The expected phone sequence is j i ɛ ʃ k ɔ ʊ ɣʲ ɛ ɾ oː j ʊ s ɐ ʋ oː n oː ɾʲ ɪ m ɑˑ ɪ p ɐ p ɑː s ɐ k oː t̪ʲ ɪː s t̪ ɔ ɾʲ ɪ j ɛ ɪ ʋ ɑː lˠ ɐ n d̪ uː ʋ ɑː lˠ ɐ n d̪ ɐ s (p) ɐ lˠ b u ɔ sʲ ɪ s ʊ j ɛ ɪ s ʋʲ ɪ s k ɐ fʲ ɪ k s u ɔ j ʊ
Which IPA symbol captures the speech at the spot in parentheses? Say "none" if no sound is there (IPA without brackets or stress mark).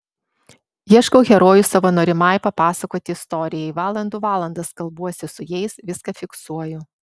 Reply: k